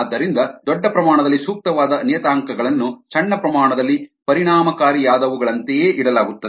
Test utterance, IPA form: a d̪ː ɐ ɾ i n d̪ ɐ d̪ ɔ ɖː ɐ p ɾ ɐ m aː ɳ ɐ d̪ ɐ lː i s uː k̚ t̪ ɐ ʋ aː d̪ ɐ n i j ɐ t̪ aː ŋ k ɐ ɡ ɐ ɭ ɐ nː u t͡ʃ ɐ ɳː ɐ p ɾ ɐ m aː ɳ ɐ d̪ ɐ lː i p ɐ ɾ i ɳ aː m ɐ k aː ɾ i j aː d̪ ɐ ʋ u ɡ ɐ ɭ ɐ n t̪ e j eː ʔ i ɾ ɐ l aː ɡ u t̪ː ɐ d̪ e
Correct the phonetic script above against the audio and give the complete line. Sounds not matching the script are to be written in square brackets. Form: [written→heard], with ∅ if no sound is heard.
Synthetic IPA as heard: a d̪ː ɐ ɾ i n d̪ ɐ d̪ ɔ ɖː ɐ p ɾ ɐ m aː ɳ ɐ d̪ ɐ lː i s uː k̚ t̪ ɐ ʋ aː d̪ ɐ n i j ɐ t̪ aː ŋ k ɐ ɡ ɐ ɭ ɐ nː u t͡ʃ ɐ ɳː ɐ p ɾ ɐ m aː ɳ ɐ d̪ ɐ lː i p ɐ ɾ i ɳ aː m ɐ k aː ɾ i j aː d̪ ɐ ʋ u ɡ ɐ ɭ ɐ n t̪ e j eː ʔ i [ɾ→ɽ] ɐ l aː ɡ u t̪ː ɐ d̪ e